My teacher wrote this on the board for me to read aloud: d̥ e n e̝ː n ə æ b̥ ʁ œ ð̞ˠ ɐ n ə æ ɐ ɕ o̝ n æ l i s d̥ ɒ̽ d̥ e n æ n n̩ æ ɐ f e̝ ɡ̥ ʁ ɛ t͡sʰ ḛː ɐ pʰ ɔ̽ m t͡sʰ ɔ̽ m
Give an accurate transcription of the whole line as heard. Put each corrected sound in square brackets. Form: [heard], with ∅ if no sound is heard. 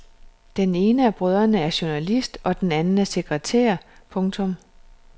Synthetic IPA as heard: d̥ e n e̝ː n ə æ b̥ ʁ œ ð̞ˠ ɐ n ə æ ɐ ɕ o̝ n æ l i s d̥ ɒ̽ d̥ e n æ n n̩ æ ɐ [s] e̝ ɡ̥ ʁ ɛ t͡sʰ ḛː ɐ pʰ ɔ̽ [ŋ] t͡sʰ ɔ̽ m